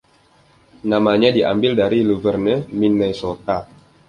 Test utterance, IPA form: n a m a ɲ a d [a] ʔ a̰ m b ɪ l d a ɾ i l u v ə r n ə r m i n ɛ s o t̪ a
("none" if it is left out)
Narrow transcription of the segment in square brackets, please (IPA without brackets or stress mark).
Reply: i